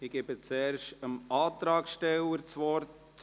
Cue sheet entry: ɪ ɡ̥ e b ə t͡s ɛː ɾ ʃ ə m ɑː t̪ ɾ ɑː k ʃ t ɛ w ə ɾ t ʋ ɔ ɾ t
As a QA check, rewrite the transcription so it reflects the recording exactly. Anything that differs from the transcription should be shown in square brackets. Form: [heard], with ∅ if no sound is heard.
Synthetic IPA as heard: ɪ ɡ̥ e b ə t͡s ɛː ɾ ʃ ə m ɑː t̪ ɾ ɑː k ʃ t ɛ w ə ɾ [t͡s] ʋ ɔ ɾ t